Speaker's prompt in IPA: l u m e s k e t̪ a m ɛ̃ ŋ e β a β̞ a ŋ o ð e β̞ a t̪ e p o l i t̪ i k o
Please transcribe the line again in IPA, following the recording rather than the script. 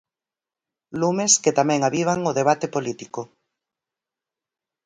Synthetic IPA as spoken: l u m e s k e t̪ a m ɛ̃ ŋ a β i β̞ a ŋ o ð e β̞ a t̪ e p o l i t̪ i k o